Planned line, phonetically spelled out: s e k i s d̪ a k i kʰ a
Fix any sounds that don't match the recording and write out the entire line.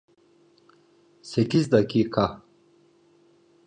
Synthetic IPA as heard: s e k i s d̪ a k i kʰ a